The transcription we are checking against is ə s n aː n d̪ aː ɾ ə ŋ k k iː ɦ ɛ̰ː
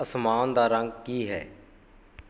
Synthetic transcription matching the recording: ə s m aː n d̪ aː ɾ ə ŋ ɡ k iː ɦ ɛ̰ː

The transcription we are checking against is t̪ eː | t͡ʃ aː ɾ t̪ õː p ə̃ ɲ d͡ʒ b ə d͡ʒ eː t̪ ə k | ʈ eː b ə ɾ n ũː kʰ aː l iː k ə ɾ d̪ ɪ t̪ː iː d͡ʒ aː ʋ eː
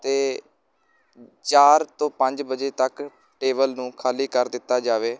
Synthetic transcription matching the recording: t̪ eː | t͡ʃ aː ɾ t̪ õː p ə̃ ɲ d͡ʒ b ə d͡ʒ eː t̪ ə k | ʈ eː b ə l n ũː kʰ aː l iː k ə ɾ d̪ ɪ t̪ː aː d͡ʒ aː ʋ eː

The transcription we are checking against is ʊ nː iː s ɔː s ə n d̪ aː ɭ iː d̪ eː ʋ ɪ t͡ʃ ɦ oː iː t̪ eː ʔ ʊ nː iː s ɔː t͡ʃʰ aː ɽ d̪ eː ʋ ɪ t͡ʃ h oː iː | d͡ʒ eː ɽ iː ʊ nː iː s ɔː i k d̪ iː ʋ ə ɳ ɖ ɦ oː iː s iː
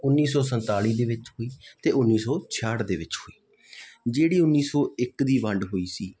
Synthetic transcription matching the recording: ʊ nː iː s ɔː s ə n t̪ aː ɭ iː d̪ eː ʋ ɪ t͡ʃ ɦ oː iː t̪ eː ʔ ʊ nː iː s ɔː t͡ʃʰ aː ɽ d̪ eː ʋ ɪ t͡ʃ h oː iː | d͡ʒ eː ɽ iː ʊ nː iː s ɔː ɪ k d̪ iː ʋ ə ɳ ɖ ɦ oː iː s iː

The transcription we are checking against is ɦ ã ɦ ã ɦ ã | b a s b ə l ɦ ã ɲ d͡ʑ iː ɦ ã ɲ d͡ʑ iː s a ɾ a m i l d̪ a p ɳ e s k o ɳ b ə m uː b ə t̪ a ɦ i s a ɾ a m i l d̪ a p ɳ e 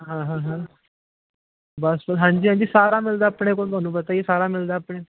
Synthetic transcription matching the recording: ɦ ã ɦ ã ɦ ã | b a s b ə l ɦ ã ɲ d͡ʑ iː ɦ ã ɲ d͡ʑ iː s a ɾ a m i l d̪ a p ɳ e k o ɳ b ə n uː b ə t̪ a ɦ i s a ɾ a m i l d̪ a p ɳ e

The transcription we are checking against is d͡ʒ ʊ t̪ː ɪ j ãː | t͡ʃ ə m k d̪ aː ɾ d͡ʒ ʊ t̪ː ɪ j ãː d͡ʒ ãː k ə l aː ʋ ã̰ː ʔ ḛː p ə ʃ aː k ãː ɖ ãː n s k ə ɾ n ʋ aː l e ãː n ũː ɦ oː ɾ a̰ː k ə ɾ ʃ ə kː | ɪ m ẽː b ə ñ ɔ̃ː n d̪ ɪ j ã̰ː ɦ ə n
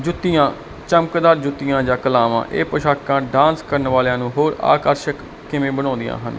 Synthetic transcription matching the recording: d͡ʒ ʊ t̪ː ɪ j ãː | t͡ʃ ə m k d̪ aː ɾ d͡ʒ ʊ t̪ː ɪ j ãː d͡ʒ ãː k ə l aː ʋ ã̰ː ʔ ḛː p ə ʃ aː k ãː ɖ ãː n s k ə ɾ n ʋ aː l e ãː n ũː ɦ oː ɾ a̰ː k ə ɾ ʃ ə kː | ɪ m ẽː b ə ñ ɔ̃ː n d̪ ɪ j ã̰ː ɦ ə n

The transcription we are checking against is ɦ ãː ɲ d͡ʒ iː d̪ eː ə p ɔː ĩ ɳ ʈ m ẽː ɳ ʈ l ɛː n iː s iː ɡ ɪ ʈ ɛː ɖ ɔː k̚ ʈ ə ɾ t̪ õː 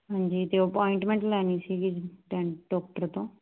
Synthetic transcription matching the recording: ɦ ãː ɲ d͡ʒ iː t̪ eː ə p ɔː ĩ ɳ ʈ m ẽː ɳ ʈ l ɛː n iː s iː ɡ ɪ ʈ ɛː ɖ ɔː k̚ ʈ ə ɾ t̪ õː

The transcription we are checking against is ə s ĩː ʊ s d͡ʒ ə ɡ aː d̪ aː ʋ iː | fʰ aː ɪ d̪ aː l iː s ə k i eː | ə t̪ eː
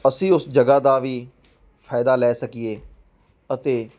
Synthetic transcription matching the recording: ə s ĩː ʊ s d͡ʒ ə ɡ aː d̪ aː ʋ iː | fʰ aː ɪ d̪ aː l ɛː s ə k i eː | ə t̪ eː

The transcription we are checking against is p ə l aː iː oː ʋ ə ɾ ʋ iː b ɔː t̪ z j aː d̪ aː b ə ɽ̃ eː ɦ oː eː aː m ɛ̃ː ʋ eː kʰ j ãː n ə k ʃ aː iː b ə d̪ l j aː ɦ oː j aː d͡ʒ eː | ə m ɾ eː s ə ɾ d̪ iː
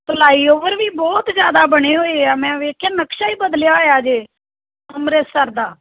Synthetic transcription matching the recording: p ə l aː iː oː ʋ ə ɾ ʋ iː b ɔː t̪ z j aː d̪ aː b ə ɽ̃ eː ɦ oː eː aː m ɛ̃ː ʋ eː kʰ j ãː n ə k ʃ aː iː b ə d̪ l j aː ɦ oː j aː d͡ʒ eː | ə m ɾ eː s ə ɾ d̪ aː

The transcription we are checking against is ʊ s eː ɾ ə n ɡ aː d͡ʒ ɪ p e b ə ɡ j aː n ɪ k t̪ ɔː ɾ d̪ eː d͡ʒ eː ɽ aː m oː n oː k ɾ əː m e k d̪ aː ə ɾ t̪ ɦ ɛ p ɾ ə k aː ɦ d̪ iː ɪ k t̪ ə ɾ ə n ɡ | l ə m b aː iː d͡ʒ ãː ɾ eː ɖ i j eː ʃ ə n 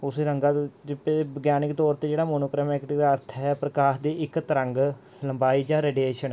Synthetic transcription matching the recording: ʊ s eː ɾ ə ŋ ɡ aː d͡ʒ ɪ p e b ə ɡ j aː n ɪ k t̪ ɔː ɾ t̪ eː d͡ʒ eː ɽ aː m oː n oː k ɾ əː m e k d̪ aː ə ɾ t̪ʰ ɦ ɛ p ɾ ə k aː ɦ d̪ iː ɪ k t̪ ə ɾ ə ŋ ɡ | l ə m b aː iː d͡ʒ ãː ɾ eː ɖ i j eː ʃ ə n

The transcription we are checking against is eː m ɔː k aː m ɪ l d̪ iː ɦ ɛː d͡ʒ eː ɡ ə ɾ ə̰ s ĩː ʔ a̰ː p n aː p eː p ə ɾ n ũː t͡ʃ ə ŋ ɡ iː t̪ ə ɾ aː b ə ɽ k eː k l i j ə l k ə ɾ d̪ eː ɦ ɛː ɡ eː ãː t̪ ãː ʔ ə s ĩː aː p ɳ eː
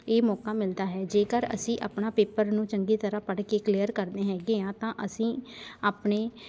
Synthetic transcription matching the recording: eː m ɔː k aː m ɪ l d̪ aː ɦ ɛː d͡ʒ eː k ə ɾ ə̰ s ĩː ʔ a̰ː p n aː p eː p ə ɾ n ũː t͡ʃ ə ŋ ɡ iː t̪ ə ɾ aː p ə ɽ k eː k l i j ə ɾ k ə ɾ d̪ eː ɦ ɛː ɡ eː ãː t̪ ãː ʔ ə s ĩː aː p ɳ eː

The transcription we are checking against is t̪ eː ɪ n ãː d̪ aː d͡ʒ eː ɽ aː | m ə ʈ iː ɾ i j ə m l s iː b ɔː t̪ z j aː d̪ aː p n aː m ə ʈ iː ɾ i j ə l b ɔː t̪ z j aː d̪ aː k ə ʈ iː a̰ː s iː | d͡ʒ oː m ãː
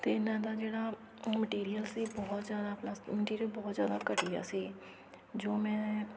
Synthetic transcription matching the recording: t̪ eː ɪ n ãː d̪ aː d͡ʒ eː ɽ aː | m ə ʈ iː ɾ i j ə l s iː b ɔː t̪ z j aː d̪ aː p n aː m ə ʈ iː ɾ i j ə l b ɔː t̪ z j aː d̪ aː k ə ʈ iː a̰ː s iː | d͡ʒ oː m ɛ̃ː

